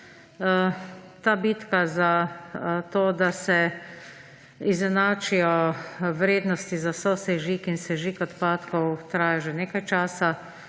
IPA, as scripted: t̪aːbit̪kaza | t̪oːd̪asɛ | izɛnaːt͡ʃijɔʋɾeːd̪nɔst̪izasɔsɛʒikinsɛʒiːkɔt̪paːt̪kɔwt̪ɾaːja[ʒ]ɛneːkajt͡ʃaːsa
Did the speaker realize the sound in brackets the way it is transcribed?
yes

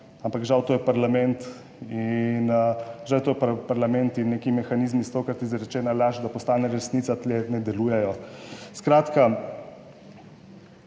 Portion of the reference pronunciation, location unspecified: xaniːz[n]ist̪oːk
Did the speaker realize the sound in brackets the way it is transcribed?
no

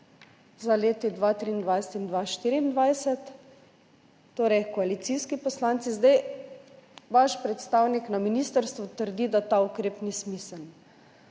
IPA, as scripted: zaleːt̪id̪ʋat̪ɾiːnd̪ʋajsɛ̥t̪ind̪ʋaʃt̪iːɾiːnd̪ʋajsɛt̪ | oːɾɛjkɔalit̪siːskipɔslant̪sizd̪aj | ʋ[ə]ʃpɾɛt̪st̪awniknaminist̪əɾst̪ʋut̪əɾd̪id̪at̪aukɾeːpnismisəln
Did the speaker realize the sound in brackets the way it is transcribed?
no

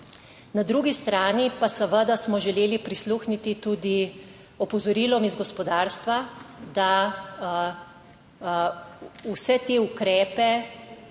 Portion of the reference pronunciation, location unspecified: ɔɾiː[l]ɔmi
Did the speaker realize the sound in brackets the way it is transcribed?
yes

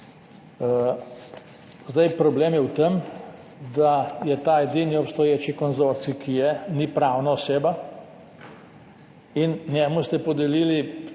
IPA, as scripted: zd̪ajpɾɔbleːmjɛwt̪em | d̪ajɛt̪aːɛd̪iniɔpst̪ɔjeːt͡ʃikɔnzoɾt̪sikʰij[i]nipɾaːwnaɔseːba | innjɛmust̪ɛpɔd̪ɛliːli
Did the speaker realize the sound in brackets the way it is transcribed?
no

